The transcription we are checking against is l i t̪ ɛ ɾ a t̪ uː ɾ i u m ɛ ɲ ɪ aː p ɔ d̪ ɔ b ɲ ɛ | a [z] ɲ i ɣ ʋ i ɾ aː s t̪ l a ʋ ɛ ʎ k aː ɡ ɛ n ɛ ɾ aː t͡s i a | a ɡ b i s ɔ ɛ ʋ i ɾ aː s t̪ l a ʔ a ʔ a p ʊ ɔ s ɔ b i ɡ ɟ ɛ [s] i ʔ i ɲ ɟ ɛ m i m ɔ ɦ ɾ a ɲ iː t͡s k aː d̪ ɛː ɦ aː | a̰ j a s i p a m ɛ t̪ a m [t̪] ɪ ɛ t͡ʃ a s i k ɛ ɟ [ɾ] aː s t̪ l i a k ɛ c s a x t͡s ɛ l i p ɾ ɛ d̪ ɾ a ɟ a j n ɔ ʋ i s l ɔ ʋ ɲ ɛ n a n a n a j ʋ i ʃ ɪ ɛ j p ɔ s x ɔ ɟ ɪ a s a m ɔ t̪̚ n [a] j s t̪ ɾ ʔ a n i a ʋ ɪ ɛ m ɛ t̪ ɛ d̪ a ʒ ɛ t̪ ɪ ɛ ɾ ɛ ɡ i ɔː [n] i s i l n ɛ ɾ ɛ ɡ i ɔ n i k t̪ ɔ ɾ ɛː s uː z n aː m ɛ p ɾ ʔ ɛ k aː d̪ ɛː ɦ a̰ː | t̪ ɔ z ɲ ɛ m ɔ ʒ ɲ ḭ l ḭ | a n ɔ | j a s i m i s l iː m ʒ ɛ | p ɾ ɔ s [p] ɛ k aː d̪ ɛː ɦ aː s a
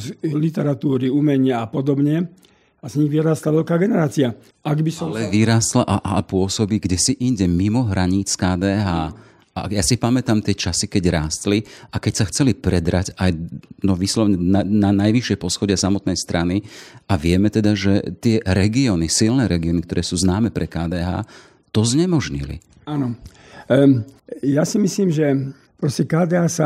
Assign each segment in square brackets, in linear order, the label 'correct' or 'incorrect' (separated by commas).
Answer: correct, correct, correct, correct, incorrect, correct, incorrect